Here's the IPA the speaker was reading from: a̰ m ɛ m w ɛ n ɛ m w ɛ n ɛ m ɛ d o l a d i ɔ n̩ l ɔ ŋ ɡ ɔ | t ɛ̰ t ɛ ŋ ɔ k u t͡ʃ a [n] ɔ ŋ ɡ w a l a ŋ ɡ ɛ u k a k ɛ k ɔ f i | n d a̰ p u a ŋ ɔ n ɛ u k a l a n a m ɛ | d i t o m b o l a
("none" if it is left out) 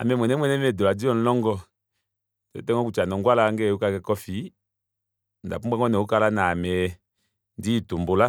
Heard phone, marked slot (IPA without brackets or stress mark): n